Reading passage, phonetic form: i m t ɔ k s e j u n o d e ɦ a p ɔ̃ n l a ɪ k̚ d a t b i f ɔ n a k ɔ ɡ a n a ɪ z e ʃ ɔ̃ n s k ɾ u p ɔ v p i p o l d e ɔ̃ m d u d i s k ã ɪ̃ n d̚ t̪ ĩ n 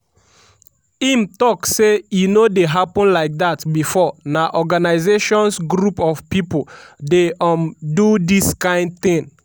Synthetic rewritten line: i m t ɔ k s e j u n o d e ɦ a p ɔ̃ n l a ɪ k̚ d a t b i f ɔ n a ʔ ɔ ɡ a n a ɪ z e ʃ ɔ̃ n s ɡ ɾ u p ɔ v p i p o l d e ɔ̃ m d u d i s k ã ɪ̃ n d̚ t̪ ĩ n